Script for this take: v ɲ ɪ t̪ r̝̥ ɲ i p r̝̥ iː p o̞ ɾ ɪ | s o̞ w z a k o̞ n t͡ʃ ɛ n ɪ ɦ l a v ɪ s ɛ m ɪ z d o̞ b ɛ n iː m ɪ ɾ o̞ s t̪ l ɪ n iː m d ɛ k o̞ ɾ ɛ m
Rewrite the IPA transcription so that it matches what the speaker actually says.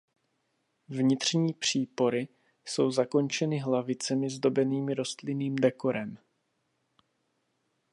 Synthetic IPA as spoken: v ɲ ɪ t̪ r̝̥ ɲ iː p r̝̥ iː p o̞ ɾ ɪ | s o̞ w z a k o̞ n t͡ʃ ɛ n ɪ ɦ l a v ɪ t͡s ɛ m ɪ z d o̞ b ɛ n iː m ɪ ɾ o̞ s t̪ l ɪ n iː m d ɛ k o̞ ɾ ɛ m